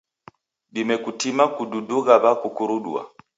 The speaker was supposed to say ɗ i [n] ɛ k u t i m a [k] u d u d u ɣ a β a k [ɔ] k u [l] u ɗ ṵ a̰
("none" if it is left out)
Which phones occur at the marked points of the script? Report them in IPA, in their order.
m, k, u, ɾ

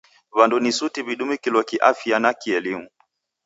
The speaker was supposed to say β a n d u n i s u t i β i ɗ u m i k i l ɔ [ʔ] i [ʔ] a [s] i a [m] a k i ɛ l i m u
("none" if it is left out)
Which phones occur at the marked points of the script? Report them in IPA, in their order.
k, ʔ, f, n

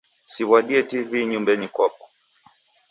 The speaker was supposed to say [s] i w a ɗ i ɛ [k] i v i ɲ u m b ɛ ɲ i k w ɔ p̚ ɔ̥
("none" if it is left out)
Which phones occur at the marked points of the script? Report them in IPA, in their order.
s, t

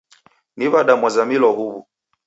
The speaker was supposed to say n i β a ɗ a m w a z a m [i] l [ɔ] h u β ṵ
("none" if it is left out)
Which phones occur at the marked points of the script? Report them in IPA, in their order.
i, ɔ

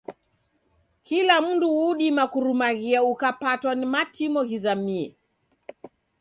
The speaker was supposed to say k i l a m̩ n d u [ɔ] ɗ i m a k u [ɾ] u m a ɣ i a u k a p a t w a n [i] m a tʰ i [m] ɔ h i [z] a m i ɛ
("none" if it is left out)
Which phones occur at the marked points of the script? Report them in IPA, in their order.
u, ɾ, i, m, z

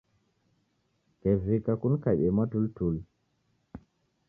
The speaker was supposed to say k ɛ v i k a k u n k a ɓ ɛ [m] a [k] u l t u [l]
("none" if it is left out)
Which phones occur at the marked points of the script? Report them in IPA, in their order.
m, t, l

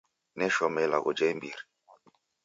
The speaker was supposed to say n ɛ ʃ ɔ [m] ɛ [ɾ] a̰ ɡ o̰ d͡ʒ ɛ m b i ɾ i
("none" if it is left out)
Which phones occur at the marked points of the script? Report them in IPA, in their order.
m, l

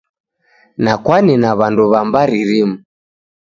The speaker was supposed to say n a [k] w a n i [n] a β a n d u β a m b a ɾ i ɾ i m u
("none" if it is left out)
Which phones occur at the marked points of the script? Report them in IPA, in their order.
k, n

